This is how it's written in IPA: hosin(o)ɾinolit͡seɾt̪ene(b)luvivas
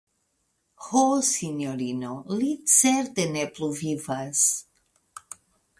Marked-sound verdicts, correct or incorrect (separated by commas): correct, incorrect